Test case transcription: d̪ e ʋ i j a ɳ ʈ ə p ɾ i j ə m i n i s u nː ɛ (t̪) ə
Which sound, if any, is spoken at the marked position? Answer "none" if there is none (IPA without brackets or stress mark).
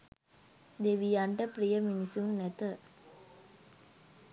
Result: t̪